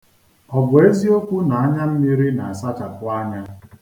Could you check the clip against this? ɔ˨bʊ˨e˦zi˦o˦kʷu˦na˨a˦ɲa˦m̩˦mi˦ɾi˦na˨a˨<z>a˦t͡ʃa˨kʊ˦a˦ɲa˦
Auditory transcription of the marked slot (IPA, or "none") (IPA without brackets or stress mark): s